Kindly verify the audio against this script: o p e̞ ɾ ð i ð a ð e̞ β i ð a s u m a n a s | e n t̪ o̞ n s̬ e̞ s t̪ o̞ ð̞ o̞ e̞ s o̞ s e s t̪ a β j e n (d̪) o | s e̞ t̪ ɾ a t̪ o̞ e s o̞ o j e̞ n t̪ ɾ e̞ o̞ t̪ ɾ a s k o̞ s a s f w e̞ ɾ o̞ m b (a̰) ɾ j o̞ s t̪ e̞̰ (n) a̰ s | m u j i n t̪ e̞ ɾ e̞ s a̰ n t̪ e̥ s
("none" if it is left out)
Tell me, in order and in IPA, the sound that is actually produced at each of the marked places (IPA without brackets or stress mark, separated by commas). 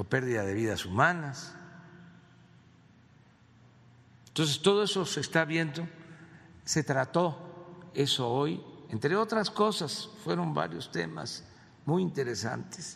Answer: d̪, a̰, m